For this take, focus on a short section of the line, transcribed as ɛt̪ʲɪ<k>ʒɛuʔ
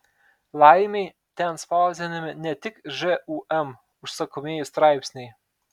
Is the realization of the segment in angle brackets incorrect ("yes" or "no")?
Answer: no